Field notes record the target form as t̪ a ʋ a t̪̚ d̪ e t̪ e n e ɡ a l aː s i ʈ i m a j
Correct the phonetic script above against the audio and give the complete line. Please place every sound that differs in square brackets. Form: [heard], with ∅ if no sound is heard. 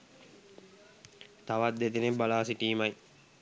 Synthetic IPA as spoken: t̪ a ʋ a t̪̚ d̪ e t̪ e n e [b] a l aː s i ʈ [iː] m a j